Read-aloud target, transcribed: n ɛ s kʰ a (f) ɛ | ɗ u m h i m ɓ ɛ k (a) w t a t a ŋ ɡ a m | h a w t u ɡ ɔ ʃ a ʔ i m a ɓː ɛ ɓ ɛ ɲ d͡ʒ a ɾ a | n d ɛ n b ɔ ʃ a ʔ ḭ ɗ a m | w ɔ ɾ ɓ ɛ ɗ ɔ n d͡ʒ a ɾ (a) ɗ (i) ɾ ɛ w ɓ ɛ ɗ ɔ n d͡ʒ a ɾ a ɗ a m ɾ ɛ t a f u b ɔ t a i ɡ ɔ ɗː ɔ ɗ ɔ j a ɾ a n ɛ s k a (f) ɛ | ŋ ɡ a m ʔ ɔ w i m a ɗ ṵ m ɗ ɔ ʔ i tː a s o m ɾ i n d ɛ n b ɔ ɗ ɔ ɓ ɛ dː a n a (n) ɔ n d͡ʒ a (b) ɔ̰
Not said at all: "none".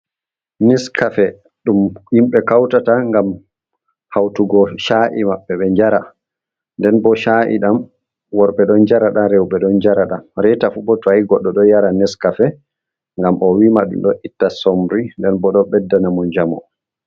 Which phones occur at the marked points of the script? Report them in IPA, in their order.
f, a, a, a, f, m, m

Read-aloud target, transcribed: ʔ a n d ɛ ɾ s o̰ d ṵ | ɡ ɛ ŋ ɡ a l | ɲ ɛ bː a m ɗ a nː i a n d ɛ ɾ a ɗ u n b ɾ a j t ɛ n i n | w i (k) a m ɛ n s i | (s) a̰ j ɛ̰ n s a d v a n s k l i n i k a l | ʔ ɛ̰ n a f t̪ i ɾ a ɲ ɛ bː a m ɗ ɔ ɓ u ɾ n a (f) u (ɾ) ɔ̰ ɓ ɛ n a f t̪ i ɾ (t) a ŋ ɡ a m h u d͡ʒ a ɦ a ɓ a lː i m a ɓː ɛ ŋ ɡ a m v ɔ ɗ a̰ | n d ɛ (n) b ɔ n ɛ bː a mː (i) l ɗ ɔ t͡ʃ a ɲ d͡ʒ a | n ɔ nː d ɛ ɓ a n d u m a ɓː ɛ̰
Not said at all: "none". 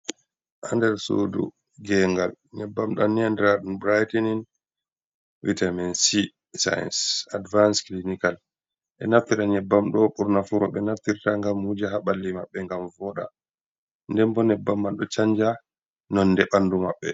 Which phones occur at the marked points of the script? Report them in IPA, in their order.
t, s, f, ɾ, t, m, a

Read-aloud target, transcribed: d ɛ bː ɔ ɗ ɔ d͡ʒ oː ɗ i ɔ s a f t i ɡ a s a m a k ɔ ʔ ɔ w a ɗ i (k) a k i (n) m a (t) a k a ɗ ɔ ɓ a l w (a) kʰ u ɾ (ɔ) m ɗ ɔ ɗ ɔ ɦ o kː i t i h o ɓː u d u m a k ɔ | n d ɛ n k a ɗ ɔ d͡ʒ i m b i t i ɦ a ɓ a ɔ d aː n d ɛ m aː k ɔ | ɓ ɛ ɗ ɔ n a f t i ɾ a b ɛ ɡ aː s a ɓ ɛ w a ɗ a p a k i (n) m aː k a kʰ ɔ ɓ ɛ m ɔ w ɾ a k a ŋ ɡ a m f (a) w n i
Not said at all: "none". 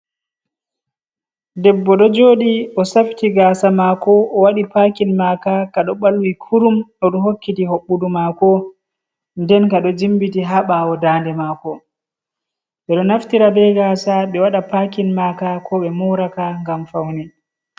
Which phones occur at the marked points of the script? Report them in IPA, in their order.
p, n, k, i, u, n, a

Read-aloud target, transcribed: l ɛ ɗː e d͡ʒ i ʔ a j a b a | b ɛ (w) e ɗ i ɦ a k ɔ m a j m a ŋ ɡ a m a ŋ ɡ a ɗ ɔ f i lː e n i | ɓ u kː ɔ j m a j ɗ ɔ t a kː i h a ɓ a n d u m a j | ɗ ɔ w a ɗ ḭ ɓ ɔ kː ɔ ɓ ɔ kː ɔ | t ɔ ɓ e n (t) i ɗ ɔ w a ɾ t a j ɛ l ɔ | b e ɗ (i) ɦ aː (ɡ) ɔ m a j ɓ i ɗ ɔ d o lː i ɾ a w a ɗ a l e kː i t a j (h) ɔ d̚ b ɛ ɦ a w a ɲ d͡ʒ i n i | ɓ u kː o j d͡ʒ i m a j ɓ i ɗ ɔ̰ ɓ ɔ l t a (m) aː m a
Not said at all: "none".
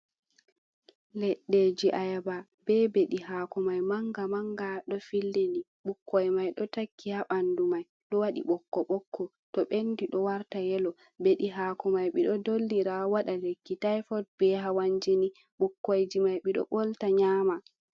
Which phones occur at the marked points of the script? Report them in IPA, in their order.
b, d, i, k, f, ɲ

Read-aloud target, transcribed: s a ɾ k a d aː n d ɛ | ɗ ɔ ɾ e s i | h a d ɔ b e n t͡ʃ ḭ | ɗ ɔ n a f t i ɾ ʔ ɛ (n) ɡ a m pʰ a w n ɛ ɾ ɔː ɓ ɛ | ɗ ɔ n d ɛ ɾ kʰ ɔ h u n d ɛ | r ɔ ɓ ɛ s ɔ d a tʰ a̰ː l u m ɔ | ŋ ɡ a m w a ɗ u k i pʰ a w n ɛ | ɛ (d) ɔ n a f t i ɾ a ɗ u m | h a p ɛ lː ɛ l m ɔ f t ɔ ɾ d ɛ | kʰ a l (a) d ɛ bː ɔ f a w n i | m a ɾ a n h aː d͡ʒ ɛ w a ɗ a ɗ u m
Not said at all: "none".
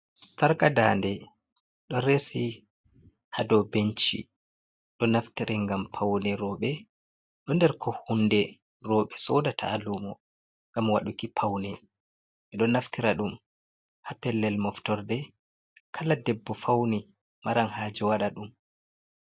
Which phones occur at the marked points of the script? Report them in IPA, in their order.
ŋ, ɗ, a

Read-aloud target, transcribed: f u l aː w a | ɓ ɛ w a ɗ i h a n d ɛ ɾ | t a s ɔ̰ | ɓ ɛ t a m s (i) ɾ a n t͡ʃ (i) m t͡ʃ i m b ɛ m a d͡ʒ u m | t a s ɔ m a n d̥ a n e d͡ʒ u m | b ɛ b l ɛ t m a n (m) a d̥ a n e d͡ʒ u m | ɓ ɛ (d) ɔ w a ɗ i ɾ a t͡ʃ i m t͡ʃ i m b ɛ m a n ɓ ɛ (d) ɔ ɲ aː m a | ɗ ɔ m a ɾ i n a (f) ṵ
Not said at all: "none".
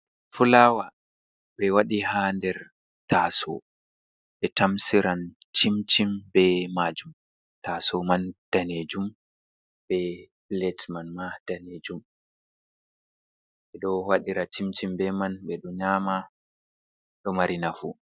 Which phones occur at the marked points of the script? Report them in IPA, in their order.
i, i, m, ɗ, ɗ, f

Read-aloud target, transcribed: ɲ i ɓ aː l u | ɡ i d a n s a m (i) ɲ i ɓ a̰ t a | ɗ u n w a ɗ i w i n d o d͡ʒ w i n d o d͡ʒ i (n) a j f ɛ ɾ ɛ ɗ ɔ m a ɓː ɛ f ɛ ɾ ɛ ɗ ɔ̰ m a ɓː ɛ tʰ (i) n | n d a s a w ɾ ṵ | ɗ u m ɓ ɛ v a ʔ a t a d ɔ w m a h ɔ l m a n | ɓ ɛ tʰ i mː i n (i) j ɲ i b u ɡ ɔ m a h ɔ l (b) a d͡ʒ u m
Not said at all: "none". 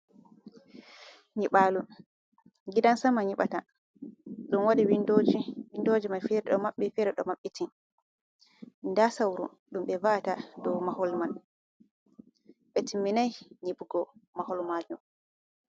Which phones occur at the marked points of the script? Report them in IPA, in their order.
a, m, i, a, m

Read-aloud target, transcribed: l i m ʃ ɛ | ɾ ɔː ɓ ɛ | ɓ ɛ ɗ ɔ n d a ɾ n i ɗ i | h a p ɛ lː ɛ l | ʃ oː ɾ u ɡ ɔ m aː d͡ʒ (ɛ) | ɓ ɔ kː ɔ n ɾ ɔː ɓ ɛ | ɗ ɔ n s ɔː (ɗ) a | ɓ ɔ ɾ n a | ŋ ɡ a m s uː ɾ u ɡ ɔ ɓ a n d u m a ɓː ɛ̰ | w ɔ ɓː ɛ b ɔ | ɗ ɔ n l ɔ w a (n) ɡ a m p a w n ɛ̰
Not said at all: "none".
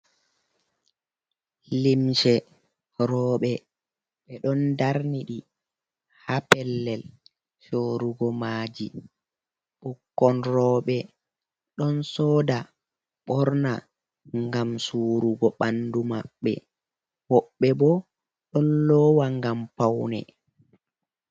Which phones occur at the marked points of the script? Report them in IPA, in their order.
i, d, ŋ

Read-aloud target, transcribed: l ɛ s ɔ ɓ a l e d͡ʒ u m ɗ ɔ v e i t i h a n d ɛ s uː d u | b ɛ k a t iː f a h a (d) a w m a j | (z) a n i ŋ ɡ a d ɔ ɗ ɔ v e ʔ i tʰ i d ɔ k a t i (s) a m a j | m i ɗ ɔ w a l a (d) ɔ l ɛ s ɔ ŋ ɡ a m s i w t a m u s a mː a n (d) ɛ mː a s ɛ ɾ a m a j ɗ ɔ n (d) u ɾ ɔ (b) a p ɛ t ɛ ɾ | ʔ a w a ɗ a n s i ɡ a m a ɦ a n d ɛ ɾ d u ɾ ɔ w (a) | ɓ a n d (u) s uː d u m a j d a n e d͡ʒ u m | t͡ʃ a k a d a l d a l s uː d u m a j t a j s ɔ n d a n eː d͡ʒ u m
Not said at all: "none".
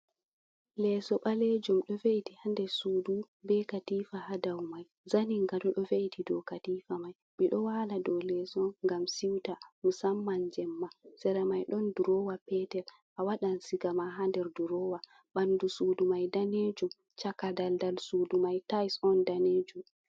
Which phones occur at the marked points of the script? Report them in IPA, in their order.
d, z, f, d, d͡ʒ, d, w, a, u

